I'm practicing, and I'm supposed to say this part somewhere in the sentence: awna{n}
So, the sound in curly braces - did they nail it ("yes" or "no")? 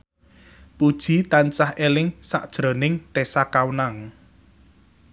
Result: no